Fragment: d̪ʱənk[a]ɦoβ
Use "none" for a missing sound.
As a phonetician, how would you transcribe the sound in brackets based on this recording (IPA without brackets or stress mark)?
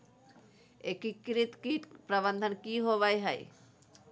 i